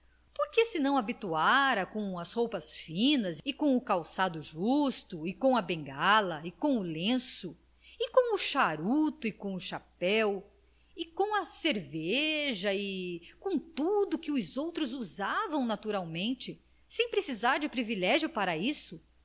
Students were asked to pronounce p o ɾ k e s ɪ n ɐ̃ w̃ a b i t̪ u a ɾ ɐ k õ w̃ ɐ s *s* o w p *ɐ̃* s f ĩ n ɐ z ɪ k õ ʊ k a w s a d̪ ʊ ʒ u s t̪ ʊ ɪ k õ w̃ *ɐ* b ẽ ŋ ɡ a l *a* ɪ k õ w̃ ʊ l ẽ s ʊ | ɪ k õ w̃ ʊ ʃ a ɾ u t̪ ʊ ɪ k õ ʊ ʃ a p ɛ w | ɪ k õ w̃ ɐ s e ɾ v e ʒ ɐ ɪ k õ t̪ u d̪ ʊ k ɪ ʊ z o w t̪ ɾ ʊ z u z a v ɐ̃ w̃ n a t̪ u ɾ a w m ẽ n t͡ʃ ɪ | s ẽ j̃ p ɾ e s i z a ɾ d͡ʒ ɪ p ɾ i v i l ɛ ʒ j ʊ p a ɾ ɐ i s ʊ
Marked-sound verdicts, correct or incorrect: incorrect: h, incorrect: ɐ, correct, incorrect: ɐ

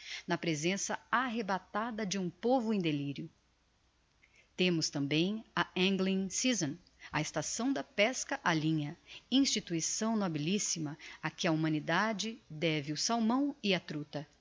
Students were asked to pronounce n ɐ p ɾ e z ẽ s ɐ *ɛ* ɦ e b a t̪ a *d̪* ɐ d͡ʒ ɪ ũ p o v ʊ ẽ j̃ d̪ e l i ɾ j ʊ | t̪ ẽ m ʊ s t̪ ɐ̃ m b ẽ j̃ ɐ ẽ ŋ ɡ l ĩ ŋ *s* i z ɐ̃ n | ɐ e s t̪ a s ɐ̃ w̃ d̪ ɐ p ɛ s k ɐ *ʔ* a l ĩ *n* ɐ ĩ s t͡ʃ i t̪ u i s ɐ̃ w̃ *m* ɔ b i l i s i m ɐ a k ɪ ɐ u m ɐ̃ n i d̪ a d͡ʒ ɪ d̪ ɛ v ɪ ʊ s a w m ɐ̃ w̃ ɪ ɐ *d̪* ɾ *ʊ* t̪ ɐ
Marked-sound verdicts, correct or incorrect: incorrect: a, correct, correct, correct, incorrect: ɲ, incorrect: n, incorrect: t̪, incorrect: u

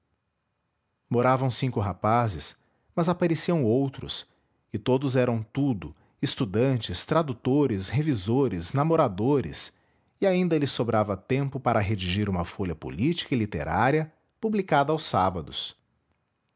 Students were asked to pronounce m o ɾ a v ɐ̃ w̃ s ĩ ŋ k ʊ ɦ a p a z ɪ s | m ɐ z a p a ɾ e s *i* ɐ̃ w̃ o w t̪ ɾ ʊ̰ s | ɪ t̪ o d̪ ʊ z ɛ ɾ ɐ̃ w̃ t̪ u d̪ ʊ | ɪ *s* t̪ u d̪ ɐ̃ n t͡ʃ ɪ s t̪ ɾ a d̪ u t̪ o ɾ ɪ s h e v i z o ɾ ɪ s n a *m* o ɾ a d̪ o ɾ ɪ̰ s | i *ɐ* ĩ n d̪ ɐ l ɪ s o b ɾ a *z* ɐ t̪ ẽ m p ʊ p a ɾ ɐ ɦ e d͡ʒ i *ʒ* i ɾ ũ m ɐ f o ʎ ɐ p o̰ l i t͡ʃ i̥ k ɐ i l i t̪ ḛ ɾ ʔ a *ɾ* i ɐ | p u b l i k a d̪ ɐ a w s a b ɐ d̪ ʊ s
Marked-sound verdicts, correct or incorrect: correct, correct, correct, incorrect: a, incorrect: v, correct, correct

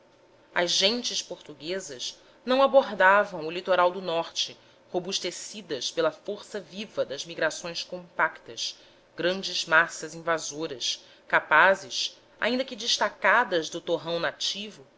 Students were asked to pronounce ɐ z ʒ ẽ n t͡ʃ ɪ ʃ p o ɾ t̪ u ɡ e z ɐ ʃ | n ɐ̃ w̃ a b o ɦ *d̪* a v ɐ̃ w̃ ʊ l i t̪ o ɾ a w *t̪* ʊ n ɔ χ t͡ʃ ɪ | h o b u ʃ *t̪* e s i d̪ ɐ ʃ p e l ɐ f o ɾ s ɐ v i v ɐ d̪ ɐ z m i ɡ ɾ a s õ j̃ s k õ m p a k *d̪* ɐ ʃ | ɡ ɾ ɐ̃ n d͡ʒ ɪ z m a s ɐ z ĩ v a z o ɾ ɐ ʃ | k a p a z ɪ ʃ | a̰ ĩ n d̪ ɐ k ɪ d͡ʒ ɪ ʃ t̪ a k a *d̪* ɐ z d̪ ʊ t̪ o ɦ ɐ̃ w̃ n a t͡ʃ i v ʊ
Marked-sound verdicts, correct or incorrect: correct, incorrect: d̪, correct, incorrect: t̪, correct

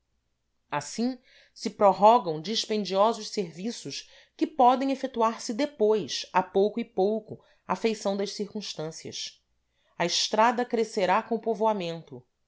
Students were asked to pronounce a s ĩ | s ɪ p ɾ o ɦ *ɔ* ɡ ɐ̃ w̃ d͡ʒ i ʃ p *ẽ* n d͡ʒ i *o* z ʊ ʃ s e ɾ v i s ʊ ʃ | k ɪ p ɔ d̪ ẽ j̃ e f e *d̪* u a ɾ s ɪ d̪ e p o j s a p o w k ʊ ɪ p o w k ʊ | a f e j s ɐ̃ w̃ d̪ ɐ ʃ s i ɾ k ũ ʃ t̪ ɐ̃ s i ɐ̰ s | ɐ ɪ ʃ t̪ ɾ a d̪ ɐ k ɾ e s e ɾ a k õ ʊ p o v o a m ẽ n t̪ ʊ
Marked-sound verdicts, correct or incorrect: correct, correct, incorrect: ɔ, incorrect: t̪

